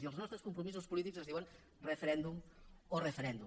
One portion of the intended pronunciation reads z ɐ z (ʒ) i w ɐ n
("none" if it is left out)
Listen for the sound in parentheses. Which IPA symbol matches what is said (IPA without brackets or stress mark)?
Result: ð